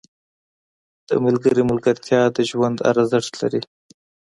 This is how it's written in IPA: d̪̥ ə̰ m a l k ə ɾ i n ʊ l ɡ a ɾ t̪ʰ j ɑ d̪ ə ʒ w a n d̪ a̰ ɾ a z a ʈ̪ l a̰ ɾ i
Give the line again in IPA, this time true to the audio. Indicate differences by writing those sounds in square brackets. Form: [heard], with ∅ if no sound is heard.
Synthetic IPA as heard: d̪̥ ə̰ m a l [ɡ] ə ɾ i [m] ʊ l ɡ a ɾ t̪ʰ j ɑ d̪ ə ʒ w a n d̪ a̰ ɾ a z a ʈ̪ l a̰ ɾ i